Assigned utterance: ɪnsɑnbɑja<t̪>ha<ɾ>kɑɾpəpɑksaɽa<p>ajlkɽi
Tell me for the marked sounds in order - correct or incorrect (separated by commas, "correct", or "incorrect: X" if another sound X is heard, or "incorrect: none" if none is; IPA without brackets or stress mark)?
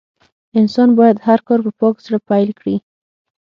incorrect: d̪, correct, correct